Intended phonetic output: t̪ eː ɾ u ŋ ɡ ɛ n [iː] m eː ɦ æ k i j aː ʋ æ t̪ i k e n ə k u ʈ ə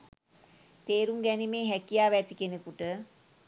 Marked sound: incorrect: i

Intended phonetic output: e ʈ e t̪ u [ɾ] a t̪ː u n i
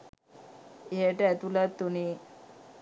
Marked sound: incorrect: l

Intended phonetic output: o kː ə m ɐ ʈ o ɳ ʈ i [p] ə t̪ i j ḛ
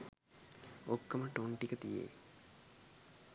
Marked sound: incorrect: k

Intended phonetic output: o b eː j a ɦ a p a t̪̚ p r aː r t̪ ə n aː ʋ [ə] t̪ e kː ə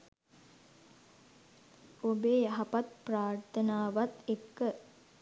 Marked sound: incorrect: a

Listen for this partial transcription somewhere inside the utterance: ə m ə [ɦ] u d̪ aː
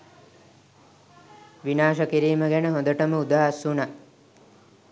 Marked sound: incorrect: none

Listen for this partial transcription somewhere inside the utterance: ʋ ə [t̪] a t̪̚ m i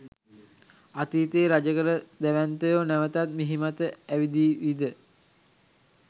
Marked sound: correct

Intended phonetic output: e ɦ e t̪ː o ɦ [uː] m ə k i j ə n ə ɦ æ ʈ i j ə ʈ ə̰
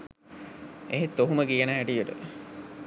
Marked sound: incorrect: u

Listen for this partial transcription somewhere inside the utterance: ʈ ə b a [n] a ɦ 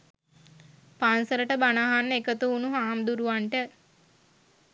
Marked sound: correct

